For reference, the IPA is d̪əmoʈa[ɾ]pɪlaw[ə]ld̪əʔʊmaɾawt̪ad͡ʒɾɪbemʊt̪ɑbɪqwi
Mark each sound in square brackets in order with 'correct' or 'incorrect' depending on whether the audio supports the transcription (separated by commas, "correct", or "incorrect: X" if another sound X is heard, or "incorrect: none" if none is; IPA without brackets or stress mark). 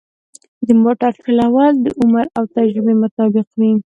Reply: correct, incorrect: ɑ